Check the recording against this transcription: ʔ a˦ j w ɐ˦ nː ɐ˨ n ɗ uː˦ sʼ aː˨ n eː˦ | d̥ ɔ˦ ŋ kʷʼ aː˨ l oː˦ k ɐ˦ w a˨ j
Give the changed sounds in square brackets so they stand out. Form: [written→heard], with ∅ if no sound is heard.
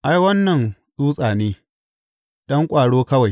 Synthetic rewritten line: ʔ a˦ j w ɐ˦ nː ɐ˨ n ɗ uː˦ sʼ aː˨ n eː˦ | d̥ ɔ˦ ŋ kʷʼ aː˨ [l→ɽ] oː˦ k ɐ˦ w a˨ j